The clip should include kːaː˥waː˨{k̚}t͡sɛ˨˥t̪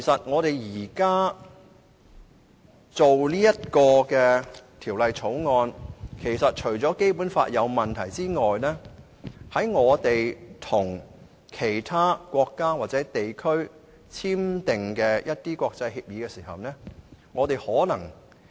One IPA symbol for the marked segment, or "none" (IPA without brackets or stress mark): t̚